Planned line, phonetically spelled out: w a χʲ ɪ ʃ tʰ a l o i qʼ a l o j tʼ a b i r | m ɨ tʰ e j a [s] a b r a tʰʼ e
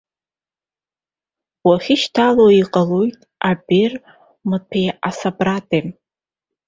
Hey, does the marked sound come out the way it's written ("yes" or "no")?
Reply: yes